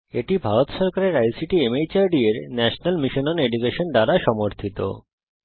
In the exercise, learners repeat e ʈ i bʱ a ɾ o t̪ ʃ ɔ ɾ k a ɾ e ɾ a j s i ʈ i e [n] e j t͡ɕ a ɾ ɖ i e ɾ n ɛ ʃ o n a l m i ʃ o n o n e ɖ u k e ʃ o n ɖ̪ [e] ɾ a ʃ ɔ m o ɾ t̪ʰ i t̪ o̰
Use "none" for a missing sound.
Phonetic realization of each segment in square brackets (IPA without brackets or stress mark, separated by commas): m, a